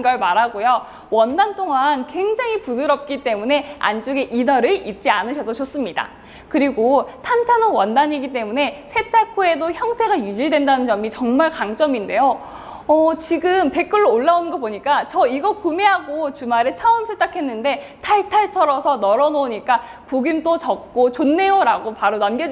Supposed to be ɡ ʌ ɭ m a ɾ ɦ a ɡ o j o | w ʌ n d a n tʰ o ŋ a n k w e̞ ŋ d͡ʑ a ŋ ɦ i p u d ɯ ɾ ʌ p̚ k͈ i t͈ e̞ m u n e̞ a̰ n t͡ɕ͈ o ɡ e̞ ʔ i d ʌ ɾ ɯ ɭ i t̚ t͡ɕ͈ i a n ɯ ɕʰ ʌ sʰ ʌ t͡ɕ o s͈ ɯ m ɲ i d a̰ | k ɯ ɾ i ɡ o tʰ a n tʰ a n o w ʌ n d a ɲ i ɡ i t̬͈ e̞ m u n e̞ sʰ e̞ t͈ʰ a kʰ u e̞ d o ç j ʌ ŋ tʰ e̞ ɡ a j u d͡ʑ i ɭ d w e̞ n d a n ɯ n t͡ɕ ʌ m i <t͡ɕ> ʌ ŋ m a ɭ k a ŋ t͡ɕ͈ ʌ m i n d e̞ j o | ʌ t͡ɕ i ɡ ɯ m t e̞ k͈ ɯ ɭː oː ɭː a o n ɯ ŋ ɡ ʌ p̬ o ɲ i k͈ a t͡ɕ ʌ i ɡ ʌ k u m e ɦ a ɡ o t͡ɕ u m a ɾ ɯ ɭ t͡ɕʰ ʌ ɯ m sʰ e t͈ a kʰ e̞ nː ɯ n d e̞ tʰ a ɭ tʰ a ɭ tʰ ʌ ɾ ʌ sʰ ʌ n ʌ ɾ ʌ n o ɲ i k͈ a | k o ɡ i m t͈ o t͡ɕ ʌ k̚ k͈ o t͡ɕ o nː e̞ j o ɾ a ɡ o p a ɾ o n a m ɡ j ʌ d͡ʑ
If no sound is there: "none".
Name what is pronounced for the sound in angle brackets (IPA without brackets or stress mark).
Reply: t͡ɕ